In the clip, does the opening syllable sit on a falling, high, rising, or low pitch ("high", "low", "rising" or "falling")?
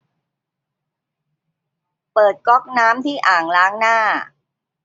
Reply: low